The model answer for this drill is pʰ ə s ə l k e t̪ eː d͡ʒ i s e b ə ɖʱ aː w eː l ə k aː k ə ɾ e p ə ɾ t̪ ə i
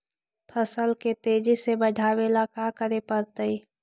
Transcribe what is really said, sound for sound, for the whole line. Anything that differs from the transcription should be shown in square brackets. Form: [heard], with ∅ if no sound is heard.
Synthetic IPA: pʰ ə s ə l k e t̪ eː d͡ʒ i s e b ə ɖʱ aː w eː l [a] k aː k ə ɾ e p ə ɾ t̪ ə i